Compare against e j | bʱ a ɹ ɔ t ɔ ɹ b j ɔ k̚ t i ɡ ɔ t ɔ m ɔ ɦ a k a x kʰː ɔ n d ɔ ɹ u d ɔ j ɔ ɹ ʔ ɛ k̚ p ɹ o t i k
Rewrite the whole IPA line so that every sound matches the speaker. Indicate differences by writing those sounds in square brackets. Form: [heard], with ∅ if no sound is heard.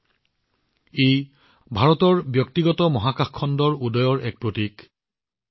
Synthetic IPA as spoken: e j | bʱ a ɹ ɔ t ɔ ɹ b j ɔ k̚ t i ɡ ɔ t ɔ m ɔ ɦ a k a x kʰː ɔ n d ɔ ɹ u d ɔ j ɔ ɹ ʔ ɛ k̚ p ɹ o t i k